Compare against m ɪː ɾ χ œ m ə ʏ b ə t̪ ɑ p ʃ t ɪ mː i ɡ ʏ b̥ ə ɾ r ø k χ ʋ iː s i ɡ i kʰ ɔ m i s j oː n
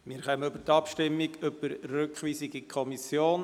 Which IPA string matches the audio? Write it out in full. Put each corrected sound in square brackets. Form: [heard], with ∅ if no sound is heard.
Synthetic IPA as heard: m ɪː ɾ χ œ m ə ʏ b ə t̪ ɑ p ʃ t ɪ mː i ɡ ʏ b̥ ə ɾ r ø k χ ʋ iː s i ɡ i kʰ ɔ m i s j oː n